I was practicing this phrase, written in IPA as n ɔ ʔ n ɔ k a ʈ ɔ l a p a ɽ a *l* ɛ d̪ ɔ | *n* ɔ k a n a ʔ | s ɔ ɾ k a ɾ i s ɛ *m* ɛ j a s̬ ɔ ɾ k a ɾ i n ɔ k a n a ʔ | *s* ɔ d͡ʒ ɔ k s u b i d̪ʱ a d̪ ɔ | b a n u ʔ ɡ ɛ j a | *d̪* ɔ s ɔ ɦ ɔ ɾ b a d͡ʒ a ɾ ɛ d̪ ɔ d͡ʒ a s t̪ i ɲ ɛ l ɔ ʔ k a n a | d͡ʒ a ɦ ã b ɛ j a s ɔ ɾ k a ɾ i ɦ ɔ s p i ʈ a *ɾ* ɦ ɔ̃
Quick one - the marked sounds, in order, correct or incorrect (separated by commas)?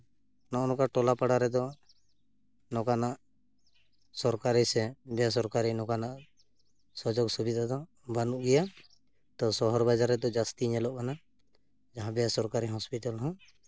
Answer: incorrect, correct, incorrect, correct, incorrect, incorrect